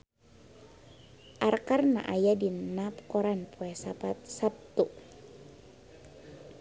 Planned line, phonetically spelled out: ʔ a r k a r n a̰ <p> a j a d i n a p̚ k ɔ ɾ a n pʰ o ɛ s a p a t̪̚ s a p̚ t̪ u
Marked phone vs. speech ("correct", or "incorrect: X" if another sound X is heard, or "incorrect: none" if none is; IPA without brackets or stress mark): incorrect: ʔ